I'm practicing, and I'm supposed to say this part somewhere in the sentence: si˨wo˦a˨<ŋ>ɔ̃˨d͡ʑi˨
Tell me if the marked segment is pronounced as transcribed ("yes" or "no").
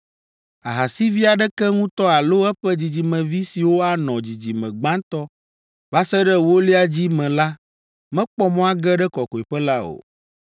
no